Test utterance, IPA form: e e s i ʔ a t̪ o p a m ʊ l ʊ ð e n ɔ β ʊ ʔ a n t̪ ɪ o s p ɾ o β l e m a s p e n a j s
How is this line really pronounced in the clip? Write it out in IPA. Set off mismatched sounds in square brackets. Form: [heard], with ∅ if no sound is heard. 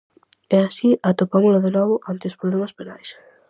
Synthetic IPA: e [a] s i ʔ a t̪ o p a m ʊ l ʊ ð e n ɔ β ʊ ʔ a n t̪ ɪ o s p ɾ o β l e m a s p e n a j s

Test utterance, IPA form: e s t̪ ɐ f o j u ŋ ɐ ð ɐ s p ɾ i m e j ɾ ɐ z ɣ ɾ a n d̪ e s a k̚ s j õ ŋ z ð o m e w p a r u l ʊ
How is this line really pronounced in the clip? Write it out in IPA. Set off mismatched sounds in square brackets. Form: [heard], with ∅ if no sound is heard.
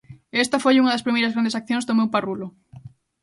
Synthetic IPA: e s t̪ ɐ f o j u ŋ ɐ ð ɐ s p ɾ i m e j ɾ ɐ z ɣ ɾ a n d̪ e s a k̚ [θ] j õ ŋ z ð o m e w p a r u l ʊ

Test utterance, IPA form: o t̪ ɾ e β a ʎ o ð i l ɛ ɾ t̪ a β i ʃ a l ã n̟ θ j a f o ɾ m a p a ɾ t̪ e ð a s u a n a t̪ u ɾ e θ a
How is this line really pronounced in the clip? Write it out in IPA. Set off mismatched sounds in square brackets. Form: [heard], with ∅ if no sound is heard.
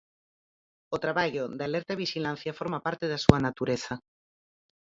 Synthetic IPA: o t̪ ɾ [a] β a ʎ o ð [a] l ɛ ɾ t̪ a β i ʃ [i] l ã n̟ θ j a f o ɾ m a p a ɾ t̪ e ð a s u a n a t̪ u ɾ e θ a

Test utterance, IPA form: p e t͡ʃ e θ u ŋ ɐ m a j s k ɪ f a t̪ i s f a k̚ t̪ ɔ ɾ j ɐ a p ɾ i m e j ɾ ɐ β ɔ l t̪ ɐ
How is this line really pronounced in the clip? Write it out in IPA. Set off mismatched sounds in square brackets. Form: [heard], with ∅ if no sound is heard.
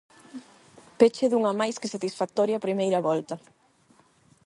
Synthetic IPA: p e t͡ʃ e [ð] u ŋ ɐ m a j s k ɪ [s] a t̪ i s f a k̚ t̪ ɔ ɾ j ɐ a p ɾ i m e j ɾ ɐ β ɔ l t̪ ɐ

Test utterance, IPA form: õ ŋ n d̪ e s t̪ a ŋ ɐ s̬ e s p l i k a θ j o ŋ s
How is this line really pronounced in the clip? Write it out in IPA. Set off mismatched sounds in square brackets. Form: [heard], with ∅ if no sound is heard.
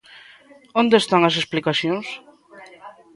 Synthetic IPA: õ [∅] n d̪ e s t̪ a ŋ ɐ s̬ e s p l i k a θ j o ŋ s

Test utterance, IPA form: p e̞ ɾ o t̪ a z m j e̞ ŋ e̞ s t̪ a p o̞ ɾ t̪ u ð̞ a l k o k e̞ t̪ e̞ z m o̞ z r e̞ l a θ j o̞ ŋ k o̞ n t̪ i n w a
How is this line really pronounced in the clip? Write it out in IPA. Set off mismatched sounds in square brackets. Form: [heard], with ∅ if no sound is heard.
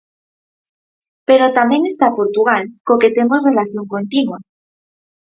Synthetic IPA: p e̞ ɾ o t̪ a [∅] m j e̞ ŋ e̞ s t̪ a p o̞ ɾ t̪ u [ɣ̞] a l k o k e̞ t̪ e̞ [∅] m o̞ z r e̞ l a θ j o̞ ŋ k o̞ n t̪ i n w a

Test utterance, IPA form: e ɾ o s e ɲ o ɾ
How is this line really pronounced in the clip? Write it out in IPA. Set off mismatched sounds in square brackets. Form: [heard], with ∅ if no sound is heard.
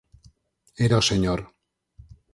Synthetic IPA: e ɾ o s e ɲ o ɾ

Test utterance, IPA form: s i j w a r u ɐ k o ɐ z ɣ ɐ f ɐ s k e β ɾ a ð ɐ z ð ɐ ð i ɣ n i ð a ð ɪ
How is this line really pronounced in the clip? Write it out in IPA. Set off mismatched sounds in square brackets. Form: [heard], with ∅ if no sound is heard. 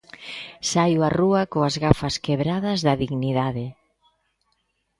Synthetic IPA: s [a] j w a r u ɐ k o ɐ z ɣ [a] f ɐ s k e β ɾ a ð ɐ z ð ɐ ð i ɣ n i ð a ð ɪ

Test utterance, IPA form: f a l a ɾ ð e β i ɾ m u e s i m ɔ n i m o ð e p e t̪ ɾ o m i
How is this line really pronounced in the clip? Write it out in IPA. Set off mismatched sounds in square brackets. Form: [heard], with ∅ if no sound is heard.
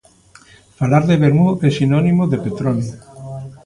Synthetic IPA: f a l a ɾ ð e β [e] ɾ m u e s i [n] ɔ n i m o ð e p e t̪ ɾ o [n] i

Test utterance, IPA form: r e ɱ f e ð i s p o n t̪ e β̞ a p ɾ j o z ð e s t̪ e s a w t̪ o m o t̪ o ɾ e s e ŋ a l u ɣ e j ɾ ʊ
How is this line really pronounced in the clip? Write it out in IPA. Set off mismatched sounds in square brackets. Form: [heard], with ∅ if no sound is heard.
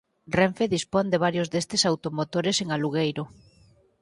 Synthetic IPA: r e ɱ f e ð i s p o n [d̪] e β̞ a [∅] ɾ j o z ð e s t̪ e s a w t̪ o m o t̪ o ɾ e s e ŋ a l u ɣ e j ɾ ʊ

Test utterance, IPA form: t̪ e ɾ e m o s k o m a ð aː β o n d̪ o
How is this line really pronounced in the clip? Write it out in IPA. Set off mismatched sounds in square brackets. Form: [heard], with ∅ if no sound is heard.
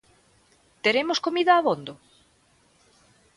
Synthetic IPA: t̪ e ɾ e m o s k o m [i] ð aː β o n d̪ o

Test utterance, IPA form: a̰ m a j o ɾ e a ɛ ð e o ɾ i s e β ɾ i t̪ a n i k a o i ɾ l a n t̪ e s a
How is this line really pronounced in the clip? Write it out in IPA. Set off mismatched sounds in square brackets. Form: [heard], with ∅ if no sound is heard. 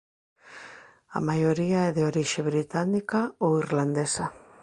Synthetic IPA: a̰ m a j o ɾ [i] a ɛ ð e o ɾ i [ʃ] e β ɾ i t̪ a n i k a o i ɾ l a n [d̪] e s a

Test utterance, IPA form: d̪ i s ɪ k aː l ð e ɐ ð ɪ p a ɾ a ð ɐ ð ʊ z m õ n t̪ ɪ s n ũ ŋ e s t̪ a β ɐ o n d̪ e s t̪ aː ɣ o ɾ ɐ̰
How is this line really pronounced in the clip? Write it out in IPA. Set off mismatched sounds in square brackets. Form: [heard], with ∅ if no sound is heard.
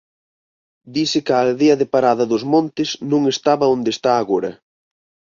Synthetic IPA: d̪ i s ɪ k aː l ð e ɐ ð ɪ p a ɾ a ð ɐ ð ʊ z m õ n t̪ ɪ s n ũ ŋ e s t̪ a β ɐ o n d̪ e s t̪ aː ɣ o ɾ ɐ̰

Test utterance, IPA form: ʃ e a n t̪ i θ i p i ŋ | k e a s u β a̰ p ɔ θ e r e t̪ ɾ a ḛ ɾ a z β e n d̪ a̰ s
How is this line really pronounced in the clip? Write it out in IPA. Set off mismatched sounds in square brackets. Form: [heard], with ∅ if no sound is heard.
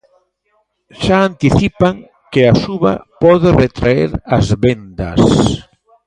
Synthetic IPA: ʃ [a] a n t̪ i θ i p [a] ŋ | k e a s u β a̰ p ɔ [ð] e r e t̪ ɾ a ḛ ɾ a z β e n d̪ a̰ s

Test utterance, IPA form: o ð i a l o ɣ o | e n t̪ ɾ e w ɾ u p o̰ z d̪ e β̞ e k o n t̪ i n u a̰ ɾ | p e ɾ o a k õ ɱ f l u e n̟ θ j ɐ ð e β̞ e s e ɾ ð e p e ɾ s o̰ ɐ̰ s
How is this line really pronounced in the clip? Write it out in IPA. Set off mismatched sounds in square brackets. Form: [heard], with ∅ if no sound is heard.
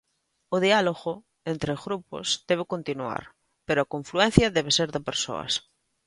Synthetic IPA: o ð i a l o ɣ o | e n t̪ ɾ e [ɣ] ɾ u p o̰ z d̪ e β̞ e k o n t̪ i n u a̰ ɾ | p e ɾ o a k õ ɱ f l u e n̟ θ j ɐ ð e β̞ e s e ɾ ð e p e ɾ s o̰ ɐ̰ s

